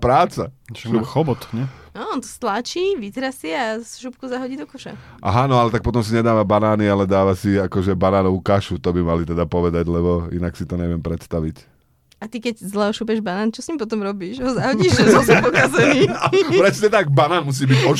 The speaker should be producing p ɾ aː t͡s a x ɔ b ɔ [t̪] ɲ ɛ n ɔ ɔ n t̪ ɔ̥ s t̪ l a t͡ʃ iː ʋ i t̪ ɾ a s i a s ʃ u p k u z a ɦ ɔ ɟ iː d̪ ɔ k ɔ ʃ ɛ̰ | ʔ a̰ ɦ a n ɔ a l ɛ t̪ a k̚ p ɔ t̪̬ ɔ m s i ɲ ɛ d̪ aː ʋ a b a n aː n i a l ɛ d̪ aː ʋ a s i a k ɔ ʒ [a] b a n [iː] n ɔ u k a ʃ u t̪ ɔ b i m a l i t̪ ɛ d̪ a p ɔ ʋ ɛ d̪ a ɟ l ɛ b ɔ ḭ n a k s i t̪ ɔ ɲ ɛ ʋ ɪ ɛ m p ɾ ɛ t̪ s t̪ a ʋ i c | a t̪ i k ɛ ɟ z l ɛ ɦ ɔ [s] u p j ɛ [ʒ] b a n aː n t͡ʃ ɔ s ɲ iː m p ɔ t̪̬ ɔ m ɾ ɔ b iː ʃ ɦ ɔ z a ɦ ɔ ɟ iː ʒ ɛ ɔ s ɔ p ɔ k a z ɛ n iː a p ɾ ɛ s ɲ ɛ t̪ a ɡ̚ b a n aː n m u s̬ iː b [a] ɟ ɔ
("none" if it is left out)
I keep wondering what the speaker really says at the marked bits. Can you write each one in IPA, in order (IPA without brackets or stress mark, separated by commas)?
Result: t̪, ɛ, aː, ʃ, ʒ, i